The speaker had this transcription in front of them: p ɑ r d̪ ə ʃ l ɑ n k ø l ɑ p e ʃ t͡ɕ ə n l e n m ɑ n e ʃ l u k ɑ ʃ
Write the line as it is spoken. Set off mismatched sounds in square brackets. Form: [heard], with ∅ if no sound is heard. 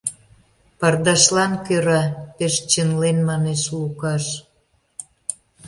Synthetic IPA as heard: p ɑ r d̪ [ɑ] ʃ l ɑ n k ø [ɾ] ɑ p e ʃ t͡ɕ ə n l e n m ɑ n e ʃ l u k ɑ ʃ